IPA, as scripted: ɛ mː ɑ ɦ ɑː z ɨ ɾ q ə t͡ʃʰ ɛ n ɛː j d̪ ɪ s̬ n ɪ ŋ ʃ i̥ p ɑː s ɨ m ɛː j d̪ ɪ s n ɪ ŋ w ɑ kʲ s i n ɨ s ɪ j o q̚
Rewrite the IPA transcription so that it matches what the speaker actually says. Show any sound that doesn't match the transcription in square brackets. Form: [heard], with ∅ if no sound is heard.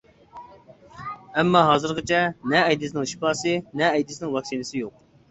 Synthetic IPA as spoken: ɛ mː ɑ ɦ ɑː z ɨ ɾ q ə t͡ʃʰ ɛ n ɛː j d̪ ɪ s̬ n ɪ ŋ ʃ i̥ p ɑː s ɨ [n] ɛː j d̪ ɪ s n ɪ ŋ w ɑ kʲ s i n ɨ s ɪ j o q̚